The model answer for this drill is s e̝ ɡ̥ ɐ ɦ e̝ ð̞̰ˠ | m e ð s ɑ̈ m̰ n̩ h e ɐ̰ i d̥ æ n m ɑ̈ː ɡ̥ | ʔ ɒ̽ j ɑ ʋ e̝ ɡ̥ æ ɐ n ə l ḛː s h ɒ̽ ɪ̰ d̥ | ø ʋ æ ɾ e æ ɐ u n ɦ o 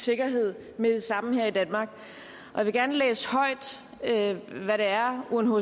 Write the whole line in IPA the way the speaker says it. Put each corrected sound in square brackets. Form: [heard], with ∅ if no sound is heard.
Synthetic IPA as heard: s e̝ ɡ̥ ɐ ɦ e̝ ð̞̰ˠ | m e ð s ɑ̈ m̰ n̩ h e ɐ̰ i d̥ æ n m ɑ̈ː ɡ̥ | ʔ ɒ̽ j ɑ ʋ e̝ ɡ̥ æ ɐ n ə l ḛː s h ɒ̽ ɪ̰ d̥ | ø ʋ æ ɾ e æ ɐ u n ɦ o